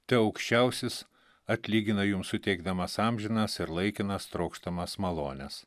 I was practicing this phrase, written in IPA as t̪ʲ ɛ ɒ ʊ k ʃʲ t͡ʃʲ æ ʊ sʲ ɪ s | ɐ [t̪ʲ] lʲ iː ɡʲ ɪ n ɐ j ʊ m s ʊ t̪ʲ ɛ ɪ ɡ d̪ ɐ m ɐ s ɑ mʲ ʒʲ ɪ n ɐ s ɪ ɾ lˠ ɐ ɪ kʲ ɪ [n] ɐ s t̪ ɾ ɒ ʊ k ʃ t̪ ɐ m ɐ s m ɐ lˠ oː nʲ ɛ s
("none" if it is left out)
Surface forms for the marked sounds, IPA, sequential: t̪ʲ, n

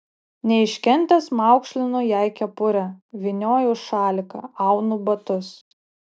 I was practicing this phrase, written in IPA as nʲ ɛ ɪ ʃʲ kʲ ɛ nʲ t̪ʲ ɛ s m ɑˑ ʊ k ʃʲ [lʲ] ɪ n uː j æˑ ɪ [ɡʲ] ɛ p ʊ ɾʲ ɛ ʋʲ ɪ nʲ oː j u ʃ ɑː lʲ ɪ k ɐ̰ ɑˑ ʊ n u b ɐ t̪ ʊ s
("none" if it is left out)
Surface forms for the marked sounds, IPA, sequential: lʲ, kʲ

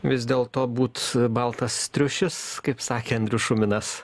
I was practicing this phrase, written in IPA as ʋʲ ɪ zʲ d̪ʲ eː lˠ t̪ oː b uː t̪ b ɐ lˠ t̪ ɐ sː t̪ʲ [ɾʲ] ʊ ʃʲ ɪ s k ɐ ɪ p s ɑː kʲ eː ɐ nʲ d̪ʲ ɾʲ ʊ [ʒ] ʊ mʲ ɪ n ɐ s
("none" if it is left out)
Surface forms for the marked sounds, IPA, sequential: ɾʲ, ʃ

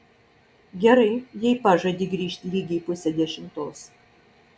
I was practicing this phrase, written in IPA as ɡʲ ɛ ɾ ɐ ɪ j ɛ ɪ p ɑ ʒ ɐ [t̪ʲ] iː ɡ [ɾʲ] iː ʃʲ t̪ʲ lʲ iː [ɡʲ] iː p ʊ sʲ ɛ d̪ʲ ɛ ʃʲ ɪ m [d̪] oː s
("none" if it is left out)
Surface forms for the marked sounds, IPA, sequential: d̪ʲ, ɾʲ, ɡʲ, t̪

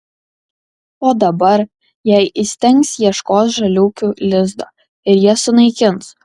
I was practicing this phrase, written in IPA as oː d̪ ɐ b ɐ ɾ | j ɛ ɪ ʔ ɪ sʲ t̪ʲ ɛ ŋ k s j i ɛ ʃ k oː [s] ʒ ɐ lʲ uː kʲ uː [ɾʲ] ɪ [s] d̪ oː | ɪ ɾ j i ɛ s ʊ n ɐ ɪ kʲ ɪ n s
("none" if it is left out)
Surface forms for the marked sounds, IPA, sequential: s, lʲ, z

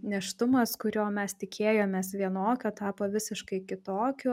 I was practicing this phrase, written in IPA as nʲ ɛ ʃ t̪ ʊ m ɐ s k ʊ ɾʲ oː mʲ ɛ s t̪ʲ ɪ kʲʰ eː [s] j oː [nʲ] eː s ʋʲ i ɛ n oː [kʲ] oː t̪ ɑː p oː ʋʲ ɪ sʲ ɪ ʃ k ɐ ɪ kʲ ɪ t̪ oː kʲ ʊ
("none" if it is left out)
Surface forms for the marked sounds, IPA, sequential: none, mʲ, kʲ

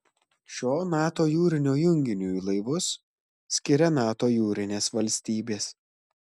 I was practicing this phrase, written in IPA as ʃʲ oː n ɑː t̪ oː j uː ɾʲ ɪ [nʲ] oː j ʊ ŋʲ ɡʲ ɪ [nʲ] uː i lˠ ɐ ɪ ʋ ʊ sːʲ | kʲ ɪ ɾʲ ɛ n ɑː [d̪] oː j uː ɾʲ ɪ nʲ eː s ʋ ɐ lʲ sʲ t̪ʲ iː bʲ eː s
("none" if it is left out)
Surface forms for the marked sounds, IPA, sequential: nʲ, nʲ, t̪

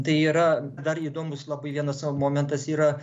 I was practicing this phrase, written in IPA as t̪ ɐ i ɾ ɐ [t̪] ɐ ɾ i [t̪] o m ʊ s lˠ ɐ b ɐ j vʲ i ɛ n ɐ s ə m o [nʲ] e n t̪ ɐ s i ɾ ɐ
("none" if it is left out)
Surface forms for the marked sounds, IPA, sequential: d̪, d̪, mʲ

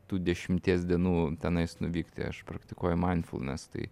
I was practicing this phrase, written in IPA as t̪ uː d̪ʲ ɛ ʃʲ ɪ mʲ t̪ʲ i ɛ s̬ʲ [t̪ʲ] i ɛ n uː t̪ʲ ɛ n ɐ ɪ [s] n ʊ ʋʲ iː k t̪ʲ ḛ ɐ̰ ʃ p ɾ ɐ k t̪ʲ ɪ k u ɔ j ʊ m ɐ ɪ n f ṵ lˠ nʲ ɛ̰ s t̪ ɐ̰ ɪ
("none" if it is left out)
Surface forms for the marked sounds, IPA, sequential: d̪ʲ, s

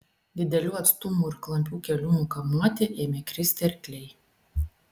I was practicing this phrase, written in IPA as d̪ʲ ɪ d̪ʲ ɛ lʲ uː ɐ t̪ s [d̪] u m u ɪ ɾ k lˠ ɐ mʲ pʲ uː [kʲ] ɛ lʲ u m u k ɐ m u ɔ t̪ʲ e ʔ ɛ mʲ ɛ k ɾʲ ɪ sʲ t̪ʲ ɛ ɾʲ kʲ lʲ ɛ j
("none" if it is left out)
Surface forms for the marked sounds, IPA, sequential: t̪, kʲ

